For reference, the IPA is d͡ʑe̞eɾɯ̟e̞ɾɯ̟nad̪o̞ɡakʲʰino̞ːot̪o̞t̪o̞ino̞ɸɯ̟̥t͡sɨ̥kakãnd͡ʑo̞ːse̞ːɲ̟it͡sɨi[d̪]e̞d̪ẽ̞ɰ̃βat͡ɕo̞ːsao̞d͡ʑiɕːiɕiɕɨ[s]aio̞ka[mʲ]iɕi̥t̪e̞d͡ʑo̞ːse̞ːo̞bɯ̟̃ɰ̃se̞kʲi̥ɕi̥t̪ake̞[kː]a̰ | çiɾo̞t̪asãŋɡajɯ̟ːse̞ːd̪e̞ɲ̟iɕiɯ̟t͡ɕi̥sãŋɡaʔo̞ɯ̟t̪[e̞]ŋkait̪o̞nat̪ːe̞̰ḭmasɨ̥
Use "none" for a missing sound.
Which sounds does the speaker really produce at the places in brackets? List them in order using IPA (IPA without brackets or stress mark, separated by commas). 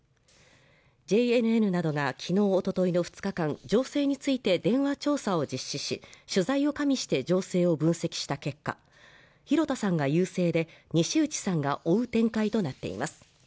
t̪, z, mʲ, kː, ẽ̞